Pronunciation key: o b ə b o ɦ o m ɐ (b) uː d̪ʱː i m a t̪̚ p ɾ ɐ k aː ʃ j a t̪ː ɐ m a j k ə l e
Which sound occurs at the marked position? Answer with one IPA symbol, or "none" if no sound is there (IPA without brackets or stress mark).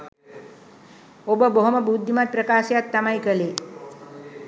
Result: b